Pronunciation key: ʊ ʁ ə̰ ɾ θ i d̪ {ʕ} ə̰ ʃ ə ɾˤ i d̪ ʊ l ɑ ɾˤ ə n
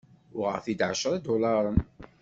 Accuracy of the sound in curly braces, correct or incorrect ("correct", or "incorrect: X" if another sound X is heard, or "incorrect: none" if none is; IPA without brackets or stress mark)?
correct